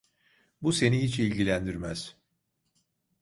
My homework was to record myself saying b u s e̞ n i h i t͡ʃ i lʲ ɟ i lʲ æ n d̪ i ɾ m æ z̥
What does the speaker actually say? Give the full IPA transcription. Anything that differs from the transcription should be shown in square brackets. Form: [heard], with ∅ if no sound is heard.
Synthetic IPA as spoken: b u s e̞ n i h i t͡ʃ i lʲ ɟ i lʲ æ n d̪ i ɾ m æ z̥